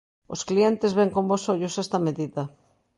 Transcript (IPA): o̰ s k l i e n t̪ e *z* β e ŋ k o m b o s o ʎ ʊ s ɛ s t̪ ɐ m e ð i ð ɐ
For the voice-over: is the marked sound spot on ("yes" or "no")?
yes